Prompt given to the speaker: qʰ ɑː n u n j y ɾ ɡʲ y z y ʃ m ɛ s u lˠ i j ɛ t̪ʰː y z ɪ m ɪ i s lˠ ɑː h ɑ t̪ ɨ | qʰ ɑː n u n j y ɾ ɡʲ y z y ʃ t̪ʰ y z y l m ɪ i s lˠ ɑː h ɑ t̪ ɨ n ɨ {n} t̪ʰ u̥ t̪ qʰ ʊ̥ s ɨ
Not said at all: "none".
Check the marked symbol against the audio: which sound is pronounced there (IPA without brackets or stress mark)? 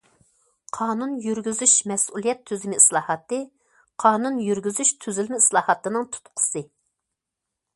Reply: ŋ